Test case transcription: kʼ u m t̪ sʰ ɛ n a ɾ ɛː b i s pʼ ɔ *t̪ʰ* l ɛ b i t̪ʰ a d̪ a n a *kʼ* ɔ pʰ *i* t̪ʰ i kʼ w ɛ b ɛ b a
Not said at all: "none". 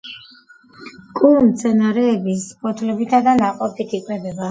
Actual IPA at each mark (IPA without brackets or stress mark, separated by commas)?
t̪ʰ, qʼ, i